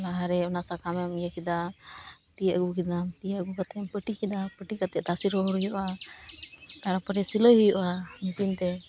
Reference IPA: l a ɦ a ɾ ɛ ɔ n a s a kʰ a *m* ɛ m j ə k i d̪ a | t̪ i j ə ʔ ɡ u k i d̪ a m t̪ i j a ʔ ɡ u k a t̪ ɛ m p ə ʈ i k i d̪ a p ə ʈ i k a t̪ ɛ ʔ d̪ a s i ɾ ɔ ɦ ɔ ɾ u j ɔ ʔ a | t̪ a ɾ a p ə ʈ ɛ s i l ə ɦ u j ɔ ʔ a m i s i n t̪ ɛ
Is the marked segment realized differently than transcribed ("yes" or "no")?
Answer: no